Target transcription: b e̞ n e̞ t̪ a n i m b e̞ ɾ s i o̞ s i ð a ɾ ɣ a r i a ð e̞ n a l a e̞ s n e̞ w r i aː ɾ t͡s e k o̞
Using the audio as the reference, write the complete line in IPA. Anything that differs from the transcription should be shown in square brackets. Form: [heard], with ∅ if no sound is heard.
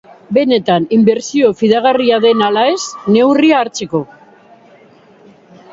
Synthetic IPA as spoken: b e̞ n e̞ t̪ a n i m b e̞ ɾ s i o̞ [f] i ð a [∅] ɣ a r i a ð e̞ n a l a e̞ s n e̞ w r i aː ɾ t͡s e k o̞